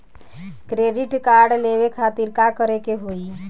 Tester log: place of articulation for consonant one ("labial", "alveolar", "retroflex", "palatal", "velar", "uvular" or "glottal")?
velar